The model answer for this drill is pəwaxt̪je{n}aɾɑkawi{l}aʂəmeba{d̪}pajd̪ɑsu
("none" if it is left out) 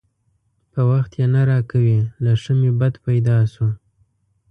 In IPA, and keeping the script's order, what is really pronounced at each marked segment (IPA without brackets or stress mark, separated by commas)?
n, l, d̪